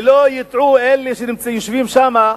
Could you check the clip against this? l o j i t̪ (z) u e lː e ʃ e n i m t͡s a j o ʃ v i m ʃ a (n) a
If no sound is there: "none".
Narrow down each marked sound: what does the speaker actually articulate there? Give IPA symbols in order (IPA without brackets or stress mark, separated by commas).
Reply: ʕ, m